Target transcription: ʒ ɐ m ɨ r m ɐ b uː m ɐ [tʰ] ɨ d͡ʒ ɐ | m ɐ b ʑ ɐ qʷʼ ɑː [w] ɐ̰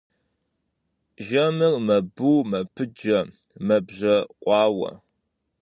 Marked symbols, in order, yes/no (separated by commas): no, yes